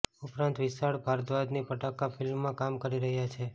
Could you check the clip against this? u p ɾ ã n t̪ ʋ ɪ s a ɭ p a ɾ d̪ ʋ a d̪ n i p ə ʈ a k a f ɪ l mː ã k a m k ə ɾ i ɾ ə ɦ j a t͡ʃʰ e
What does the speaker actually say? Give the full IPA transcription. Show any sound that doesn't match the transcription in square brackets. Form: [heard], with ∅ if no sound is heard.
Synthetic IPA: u p ɾ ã n t̪ ʋ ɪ s a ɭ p a ɾ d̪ ʋ a d̪ n i p ə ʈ a k a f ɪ l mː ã k a m k ə ɾ i ɾ ə ɦ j a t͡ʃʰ e